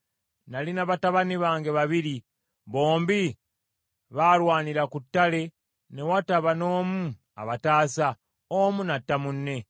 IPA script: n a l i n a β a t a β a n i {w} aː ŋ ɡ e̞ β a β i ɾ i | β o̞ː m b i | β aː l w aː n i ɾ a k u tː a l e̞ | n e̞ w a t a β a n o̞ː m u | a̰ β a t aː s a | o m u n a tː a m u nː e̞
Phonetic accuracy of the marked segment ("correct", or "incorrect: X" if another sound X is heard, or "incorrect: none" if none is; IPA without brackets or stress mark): incorrect: β